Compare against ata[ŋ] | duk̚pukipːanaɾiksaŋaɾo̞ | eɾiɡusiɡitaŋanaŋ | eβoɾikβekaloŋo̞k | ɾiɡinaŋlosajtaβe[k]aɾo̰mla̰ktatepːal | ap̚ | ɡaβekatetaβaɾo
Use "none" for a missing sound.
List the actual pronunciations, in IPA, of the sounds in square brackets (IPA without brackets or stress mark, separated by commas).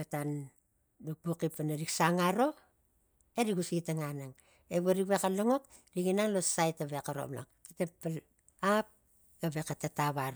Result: n, k